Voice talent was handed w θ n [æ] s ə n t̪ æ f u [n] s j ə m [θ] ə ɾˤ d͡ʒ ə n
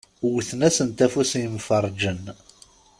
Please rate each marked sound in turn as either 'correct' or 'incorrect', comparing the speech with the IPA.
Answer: correct, incorrect: none, incorrect: f

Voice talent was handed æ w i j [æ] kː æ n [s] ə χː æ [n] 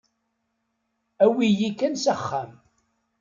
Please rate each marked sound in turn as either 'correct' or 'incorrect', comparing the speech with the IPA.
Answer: incorrect: i, correct, incorrect: m

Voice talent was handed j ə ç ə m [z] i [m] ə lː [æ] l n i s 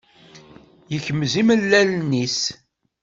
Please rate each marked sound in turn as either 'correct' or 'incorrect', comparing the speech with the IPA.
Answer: correct, correct, correct

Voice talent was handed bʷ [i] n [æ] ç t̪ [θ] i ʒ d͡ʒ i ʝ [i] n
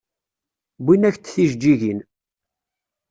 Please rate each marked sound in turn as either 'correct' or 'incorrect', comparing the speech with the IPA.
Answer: correct, correct, correct, correct

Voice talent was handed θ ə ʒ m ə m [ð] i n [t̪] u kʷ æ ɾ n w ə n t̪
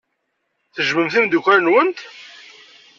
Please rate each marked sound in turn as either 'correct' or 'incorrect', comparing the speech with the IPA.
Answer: incorrect: θ, incorrect: d̪

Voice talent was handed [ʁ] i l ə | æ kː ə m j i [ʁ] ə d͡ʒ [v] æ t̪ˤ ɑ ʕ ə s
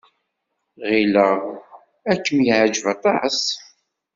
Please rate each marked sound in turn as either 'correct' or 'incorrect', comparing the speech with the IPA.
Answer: correct, incorrect: ʕ, correct

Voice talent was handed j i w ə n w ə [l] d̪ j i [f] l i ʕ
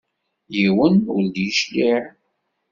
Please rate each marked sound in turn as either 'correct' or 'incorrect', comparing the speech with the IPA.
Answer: correct, incorrect: ʃ

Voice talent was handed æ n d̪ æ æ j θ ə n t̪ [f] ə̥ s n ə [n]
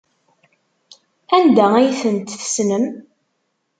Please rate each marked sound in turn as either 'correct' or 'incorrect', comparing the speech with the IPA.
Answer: incorrect: θ, incorrect: m

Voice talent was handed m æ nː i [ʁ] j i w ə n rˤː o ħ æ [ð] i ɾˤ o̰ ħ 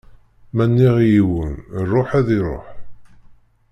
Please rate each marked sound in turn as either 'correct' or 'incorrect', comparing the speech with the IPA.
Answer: correct, correct

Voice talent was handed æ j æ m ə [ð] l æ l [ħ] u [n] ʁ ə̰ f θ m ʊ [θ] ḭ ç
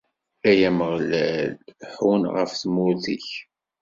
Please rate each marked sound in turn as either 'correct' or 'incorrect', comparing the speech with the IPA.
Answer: incorrect: ʁ, correct, correct, correct

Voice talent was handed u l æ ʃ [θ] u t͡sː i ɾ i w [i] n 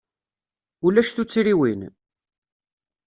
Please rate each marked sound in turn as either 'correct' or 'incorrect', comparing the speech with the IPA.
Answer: correct, correct

